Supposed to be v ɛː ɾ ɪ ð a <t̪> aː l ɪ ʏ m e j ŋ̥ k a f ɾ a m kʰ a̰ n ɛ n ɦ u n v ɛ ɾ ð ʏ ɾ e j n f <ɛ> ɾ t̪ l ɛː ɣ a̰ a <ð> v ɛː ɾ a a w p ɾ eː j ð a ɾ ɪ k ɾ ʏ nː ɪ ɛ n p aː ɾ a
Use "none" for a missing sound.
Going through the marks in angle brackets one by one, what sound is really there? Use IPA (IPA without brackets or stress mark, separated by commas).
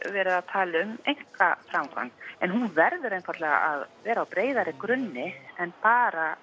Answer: t̪ʰ, a, ð